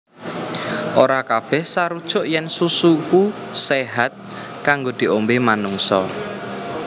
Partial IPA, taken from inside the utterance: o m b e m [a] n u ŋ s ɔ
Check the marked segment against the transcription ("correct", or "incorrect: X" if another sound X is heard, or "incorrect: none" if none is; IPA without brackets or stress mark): correct